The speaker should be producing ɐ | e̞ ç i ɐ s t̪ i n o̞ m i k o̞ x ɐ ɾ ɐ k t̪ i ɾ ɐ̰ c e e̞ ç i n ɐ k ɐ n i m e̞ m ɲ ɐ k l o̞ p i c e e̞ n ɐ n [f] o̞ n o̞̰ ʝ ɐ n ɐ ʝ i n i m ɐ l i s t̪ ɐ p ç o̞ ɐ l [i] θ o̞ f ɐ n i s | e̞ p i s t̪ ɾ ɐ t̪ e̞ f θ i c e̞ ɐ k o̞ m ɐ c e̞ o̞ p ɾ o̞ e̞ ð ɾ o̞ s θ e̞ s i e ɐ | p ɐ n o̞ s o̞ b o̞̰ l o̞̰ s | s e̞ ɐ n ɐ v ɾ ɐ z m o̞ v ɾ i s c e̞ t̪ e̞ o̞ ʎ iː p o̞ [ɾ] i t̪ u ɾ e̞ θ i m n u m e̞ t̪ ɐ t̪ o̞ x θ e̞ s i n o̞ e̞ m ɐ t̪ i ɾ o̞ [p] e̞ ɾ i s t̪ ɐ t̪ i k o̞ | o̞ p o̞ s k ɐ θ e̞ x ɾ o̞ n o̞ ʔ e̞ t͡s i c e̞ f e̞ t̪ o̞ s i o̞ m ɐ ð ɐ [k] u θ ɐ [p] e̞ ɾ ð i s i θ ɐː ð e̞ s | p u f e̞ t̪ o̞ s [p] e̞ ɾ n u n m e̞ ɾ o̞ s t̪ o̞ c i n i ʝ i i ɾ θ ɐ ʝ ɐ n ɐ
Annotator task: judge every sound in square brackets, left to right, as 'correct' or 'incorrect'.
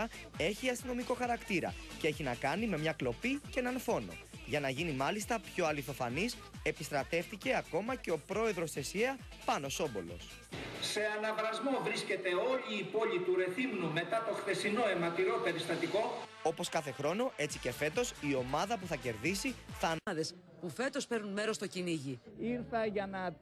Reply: correct, correct, incorrect: ʎ, correct, incorrect: p, incorrect: c, correct

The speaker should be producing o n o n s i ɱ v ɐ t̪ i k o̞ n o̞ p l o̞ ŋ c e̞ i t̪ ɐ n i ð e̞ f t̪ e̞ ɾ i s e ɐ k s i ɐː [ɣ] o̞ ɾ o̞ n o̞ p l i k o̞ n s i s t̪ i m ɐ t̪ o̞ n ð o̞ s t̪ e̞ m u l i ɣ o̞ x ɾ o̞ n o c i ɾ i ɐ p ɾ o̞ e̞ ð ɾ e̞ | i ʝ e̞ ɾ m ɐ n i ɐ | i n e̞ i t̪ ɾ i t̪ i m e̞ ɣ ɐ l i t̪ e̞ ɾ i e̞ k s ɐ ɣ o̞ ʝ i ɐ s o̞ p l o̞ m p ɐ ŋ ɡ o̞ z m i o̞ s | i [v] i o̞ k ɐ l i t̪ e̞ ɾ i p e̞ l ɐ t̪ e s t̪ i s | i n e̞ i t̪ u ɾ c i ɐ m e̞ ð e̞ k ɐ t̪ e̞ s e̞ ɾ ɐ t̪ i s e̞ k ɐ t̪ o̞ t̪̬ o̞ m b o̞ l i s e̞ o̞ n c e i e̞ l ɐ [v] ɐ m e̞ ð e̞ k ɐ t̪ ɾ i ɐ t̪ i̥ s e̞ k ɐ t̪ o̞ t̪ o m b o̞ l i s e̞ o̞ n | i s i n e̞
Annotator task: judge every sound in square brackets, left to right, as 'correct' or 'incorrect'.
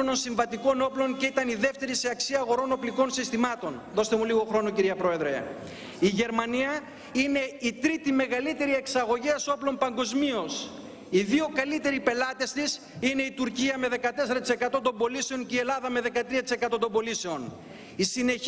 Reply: correct, incorrect: ð, incorrect: ð

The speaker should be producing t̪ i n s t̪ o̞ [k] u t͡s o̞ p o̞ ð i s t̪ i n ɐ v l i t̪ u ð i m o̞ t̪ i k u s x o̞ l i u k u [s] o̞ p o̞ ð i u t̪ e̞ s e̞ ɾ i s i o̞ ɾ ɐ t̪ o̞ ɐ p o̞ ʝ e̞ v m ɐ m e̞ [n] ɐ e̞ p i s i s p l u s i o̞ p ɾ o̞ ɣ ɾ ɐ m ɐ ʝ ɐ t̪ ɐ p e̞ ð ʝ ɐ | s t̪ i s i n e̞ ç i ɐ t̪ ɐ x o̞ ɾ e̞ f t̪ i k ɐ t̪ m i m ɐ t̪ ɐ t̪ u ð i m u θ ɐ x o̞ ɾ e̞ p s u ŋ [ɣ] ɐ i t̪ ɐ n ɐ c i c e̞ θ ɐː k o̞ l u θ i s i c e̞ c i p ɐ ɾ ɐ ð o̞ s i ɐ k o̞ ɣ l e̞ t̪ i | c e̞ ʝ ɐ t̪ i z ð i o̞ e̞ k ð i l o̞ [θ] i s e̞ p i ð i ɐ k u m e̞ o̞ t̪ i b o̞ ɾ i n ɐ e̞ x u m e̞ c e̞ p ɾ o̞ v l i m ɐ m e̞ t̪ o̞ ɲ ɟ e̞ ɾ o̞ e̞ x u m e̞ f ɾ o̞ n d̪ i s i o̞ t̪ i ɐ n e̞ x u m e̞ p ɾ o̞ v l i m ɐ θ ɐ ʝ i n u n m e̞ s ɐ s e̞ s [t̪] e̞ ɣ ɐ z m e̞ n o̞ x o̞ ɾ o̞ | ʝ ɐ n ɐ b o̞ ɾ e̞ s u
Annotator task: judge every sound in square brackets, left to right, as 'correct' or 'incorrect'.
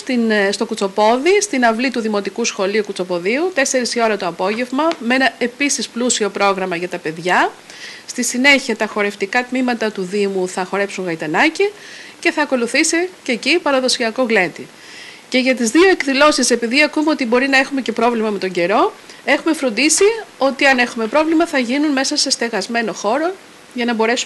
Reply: correct, incorrect: t͡s, correct, correct, incorrect: s, correct

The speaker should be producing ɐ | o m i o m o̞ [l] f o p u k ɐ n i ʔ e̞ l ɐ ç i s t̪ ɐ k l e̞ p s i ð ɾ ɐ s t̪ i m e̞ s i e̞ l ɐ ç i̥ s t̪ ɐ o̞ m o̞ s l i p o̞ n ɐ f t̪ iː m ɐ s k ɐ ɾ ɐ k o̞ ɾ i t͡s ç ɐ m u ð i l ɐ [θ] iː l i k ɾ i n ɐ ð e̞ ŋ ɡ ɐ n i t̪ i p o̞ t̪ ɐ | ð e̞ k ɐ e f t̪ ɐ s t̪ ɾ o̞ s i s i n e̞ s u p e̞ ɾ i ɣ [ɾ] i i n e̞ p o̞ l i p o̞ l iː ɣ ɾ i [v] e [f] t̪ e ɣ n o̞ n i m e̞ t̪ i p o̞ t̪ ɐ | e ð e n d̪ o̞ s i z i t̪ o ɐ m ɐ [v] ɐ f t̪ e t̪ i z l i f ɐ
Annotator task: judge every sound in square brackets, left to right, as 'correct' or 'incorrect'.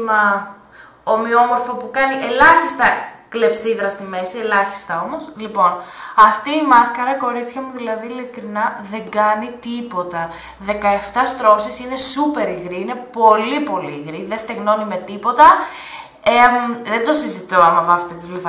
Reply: incorrect: ɾ, incorrect: ð, correct, incorrect: ð, incorrect: s, correct

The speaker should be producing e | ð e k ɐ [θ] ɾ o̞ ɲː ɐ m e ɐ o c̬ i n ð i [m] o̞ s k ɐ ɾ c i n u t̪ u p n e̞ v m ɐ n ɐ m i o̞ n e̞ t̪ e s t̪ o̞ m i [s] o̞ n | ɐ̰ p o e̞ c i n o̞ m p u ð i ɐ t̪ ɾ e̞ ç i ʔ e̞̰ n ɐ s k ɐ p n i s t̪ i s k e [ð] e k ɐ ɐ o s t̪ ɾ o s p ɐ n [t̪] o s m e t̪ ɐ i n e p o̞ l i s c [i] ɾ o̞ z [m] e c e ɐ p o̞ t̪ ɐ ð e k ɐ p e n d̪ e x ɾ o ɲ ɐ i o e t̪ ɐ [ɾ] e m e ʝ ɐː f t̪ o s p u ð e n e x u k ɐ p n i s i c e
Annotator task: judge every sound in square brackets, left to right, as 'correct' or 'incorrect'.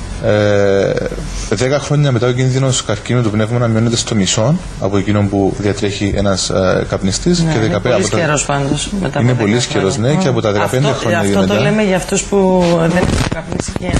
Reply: incorrect: x, incorrect: n, correct, correct, incorrect: d̪, incorrect: e, incorrect: n, incorrect: l

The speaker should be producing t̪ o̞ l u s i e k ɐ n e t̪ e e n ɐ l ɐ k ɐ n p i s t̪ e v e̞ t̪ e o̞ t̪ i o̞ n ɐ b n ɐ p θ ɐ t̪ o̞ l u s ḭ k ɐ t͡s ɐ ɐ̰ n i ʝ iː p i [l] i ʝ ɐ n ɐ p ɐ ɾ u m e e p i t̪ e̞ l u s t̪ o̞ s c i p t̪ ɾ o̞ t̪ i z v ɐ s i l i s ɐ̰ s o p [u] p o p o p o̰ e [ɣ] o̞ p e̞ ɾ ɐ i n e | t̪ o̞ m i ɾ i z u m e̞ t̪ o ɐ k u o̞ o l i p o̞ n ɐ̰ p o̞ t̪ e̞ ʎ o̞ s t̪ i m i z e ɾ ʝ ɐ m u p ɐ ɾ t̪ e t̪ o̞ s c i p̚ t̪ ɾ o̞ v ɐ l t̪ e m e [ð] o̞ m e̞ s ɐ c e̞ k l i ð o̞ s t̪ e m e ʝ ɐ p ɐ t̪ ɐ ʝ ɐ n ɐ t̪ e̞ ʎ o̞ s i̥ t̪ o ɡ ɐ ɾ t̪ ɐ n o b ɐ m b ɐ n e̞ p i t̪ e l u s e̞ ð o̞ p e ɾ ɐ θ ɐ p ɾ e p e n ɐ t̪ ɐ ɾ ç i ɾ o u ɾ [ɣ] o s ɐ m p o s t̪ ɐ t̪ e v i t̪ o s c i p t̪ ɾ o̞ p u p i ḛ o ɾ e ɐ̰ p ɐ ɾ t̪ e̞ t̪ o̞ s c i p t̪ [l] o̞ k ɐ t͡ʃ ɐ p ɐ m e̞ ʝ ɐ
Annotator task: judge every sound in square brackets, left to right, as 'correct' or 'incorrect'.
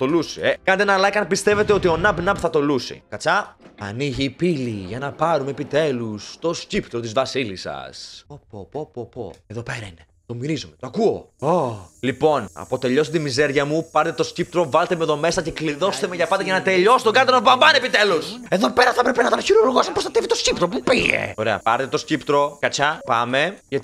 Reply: correct, incorrect: o, incorrect: ð, correct, correct, incorrect: ɾ

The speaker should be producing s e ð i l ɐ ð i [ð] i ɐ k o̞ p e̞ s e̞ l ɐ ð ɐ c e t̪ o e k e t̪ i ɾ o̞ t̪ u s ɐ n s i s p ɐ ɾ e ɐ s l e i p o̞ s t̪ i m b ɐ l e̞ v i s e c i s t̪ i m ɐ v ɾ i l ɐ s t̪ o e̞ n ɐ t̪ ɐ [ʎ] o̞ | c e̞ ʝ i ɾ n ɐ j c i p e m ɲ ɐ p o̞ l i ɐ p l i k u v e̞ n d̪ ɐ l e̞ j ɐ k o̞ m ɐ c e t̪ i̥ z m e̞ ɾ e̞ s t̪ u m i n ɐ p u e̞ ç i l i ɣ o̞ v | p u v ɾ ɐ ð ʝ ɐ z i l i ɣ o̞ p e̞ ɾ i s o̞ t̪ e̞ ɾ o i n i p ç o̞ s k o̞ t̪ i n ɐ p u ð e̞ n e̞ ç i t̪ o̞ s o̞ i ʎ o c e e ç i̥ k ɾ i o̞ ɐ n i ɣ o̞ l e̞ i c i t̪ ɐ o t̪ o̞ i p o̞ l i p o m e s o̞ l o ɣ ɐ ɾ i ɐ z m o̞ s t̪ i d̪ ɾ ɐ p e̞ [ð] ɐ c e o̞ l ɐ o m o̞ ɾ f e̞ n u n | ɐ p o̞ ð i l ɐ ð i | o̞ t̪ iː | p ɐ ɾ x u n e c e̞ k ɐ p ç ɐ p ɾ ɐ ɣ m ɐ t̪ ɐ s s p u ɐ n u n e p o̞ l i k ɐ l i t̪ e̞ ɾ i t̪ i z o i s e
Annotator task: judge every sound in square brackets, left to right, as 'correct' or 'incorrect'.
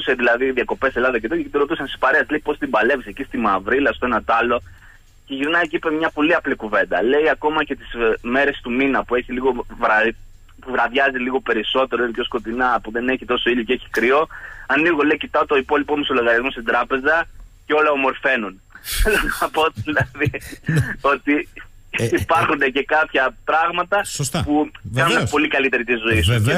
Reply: correct, incorrect: l, incorrect: z

